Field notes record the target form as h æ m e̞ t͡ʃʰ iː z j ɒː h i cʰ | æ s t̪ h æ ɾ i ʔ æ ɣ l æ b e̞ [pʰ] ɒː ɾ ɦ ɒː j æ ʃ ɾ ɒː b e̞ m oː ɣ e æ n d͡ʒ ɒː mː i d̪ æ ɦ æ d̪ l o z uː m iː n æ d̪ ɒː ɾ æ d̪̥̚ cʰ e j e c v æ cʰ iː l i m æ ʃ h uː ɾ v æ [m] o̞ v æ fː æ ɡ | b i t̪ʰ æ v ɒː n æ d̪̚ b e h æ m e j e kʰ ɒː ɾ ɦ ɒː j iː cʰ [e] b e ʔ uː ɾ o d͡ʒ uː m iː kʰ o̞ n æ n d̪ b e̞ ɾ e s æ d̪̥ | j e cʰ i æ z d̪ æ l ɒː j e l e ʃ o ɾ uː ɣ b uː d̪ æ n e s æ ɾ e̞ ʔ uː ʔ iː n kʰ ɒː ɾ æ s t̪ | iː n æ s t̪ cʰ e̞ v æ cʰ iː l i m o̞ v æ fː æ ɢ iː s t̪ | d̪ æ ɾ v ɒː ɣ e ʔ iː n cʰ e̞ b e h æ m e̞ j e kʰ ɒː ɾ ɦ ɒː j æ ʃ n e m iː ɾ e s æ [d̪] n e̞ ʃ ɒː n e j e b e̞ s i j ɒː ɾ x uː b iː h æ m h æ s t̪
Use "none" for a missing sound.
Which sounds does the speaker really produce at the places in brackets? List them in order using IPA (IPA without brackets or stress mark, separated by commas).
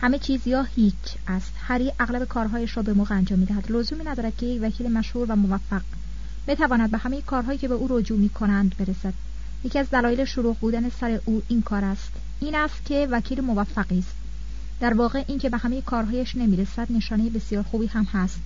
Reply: kʰ, m, e, d̪